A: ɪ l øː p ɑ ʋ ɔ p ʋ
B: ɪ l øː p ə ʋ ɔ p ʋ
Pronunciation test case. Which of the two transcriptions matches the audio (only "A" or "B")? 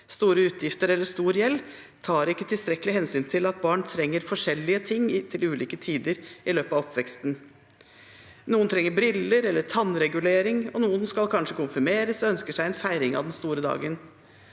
A